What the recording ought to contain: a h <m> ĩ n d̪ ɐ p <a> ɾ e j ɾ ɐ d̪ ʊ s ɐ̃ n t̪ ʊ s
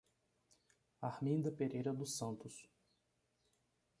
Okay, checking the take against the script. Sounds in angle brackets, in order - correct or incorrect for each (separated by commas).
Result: correct, incorrect